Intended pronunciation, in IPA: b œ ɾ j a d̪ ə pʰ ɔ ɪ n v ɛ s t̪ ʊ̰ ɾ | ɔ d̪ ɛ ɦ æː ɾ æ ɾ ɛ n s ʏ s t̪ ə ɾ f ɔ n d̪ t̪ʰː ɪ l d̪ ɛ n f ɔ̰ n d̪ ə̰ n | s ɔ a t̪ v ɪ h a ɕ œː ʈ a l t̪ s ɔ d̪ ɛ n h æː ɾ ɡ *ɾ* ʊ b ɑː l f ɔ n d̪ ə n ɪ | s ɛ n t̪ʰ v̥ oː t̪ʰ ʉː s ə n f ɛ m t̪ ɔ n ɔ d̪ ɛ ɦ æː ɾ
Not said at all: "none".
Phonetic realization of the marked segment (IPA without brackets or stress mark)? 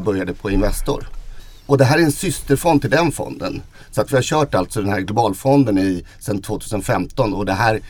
l